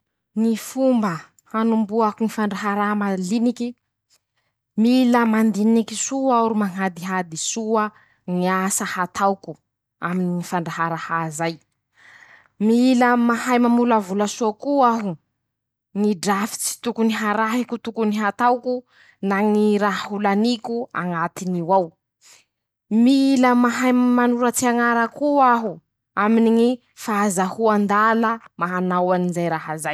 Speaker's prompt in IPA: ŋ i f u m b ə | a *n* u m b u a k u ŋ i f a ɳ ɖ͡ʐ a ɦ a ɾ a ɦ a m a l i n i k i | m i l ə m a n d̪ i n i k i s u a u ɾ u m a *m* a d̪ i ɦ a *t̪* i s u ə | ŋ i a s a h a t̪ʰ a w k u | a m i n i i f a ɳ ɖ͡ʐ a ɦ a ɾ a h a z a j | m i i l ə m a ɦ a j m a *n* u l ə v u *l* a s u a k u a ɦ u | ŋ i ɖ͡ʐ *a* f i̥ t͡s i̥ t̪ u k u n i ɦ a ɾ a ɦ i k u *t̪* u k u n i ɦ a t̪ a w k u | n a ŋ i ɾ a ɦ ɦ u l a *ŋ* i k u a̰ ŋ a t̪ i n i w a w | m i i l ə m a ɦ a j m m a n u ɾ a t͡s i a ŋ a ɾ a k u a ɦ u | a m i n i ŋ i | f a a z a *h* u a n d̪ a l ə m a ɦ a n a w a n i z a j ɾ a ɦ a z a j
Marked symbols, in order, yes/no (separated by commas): yes, no, no, no, yes, yes, yes, no, yes